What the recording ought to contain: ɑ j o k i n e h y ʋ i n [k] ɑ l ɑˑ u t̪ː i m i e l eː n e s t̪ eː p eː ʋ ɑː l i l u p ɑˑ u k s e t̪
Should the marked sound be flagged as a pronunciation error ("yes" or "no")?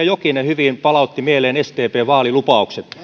yes